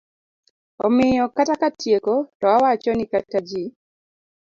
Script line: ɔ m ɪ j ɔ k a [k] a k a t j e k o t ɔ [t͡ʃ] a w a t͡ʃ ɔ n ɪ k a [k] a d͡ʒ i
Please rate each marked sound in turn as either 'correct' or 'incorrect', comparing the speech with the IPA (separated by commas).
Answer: incorrect, incorrect, incorrect